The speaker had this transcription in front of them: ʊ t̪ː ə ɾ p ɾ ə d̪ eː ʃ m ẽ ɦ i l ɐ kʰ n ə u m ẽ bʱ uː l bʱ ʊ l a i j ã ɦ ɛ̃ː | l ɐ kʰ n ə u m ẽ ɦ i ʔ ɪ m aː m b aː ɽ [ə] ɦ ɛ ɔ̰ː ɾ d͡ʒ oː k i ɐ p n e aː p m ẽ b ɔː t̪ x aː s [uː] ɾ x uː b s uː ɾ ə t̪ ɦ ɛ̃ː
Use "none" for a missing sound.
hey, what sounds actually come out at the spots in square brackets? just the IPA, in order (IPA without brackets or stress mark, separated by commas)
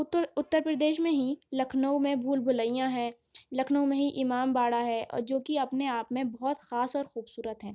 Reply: a, ɔː